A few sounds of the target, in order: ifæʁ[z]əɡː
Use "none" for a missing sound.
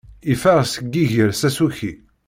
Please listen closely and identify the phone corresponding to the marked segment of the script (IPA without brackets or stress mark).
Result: s